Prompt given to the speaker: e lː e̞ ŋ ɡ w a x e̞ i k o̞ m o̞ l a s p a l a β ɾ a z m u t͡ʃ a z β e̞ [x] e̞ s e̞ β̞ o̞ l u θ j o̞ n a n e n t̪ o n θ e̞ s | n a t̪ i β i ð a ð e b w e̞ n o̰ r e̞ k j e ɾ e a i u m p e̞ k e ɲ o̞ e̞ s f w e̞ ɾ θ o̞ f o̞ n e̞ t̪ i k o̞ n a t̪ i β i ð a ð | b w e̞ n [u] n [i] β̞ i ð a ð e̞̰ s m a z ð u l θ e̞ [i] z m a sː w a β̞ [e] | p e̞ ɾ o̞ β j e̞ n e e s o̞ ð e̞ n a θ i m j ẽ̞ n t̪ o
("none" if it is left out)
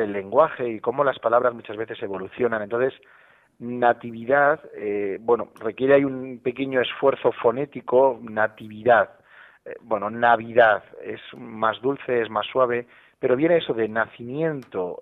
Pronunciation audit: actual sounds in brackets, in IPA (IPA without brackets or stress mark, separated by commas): θ, o, a, e, e